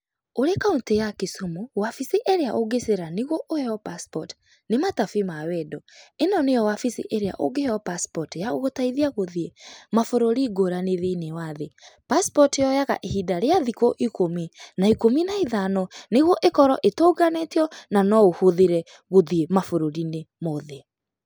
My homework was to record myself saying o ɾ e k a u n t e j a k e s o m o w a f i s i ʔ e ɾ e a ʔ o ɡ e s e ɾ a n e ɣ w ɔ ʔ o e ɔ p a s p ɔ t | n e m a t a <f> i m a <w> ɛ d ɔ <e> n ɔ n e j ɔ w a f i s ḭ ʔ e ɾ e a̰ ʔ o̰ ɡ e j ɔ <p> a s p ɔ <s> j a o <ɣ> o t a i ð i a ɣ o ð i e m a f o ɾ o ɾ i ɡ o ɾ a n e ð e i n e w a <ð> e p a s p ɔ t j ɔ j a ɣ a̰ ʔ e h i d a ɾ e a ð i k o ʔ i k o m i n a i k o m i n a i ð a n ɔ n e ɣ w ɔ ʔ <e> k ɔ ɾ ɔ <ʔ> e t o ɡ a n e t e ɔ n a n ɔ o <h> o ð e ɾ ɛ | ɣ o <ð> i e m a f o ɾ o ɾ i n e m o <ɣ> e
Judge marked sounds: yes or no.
yes, yes, yes, yes, no, yes, yes, yes, yes, yes, yes, no

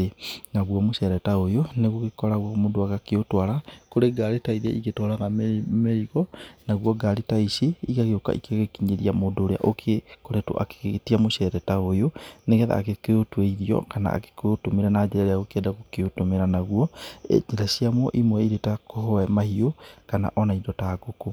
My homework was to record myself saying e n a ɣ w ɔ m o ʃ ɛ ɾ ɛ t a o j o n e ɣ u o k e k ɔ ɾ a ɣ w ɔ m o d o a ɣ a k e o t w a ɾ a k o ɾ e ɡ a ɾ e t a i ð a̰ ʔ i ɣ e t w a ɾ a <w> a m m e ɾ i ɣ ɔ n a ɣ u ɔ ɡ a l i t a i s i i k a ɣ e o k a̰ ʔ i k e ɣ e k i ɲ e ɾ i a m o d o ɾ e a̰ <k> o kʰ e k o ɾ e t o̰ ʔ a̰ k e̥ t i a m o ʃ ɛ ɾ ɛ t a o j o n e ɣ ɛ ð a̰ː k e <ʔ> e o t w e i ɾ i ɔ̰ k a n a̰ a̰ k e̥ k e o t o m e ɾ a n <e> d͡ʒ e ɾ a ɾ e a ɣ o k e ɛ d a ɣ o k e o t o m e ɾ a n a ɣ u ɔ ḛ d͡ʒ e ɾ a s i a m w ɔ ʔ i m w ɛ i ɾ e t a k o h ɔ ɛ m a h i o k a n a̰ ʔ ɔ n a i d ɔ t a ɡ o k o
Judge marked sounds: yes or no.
no, no, no, no

